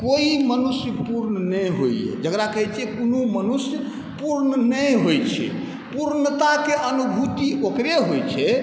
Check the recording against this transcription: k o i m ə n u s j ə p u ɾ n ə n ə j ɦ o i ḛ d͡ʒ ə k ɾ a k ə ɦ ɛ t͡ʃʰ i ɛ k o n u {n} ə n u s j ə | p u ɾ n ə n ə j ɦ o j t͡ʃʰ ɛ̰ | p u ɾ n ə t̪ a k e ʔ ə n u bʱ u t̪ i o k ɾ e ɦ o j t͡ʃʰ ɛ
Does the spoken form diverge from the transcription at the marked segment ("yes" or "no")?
yes